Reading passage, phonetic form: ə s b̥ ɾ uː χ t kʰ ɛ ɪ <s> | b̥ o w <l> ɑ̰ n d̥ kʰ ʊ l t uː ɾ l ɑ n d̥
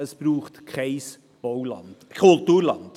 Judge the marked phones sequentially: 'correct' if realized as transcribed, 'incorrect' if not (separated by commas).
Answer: correct, correct